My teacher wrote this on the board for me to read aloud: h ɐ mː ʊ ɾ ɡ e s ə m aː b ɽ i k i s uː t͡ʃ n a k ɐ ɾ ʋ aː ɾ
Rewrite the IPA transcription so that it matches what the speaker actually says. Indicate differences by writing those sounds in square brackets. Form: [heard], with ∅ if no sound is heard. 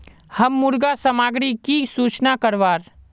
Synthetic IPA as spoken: h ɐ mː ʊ ɾ ɡ [a] s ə m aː [ɡ] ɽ i k i s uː t͡ʃ n a k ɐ ɾ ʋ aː ɾ